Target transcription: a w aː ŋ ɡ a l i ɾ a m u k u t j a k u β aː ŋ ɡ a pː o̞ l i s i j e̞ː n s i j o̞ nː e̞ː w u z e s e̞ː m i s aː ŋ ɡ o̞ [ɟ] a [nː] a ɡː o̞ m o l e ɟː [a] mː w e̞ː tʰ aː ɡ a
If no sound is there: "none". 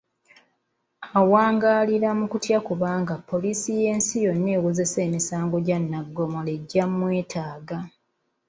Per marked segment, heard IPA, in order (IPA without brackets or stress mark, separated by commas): ɟ, nː, a